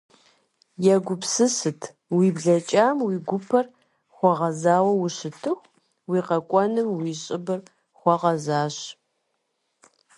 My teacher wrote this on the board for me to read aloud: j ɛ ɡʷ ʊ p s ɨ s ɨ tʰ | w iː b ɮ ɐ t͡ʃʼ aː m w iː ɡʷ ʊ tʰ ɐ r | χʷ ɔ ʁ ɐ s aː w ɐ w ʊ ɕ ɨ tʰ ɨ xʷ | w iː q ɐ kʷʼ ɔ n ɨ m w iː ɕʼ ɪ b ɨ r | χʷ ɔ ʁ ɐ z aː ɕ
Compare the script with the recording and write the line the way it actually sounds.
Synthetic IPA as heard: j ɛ ɡʷ ʊ p s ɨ s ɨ tʰ | w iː b ɮ ɐ t͡ʃʼ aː m w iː ɡʷ ʊ pʰ ɐ r | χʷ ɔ ʁ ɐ z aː w ɐ w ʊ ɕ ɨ tʰ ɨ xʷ | w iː q ɐ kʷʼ ɔ n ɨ m w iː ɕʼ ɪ b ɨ r | χʷ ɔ ʁ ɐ z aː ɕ